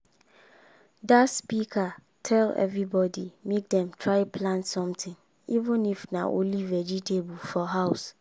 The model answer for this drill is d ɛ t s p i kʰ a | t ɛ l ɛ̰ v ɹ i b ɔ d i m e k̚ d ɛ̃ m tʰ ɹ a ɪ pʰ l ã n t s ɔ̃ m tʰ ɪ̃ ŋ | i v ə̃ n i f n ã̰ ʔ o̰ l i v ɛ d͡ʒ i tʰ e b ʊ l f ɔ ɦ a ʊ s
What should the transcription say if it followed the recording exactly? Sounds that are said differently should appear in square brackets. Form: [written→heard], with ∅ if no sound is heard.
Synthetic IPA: d [ɛ→a] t s p i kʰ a | [t→tʰ] ɛ l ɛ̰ v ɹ i b ɔ d i m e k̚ d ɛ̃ m tʰ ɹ a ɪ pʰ l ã n t s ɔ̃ m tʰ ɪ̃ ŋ | i v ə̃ n i f n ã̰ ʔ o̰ l i v ɛ d͡ʒ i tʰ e b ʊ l f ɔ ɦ a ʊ s